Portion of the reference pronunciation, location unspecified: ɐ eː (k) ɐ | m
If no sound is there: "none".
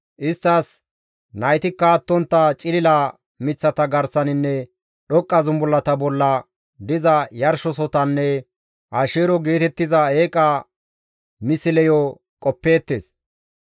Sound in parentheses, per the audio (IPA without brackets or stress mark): kʼ